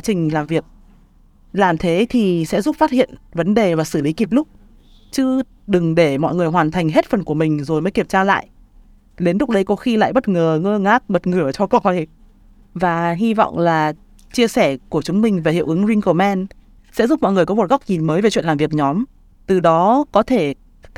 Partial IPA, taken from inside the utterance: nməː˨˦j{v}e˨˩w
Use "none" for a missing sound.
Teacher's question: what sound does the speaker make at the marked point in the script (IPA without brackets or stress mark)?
v